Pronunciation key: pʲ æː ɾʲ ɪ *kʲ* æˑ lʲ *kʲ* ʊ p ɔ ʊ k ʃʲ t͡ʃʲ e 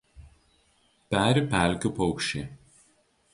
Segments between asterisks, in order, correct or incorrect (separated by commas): incorrect, correct